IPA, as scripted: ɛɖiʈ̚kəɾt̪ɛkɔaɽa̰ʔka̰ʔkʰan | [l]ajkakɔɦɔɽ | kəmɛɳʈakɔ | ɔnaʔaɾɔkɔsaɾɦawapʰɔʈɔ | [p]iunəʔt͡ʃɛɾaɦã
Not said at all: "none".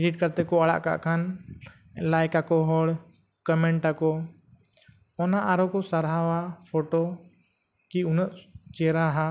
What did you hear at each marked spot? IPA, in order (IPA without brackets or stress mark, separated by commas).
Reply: l, k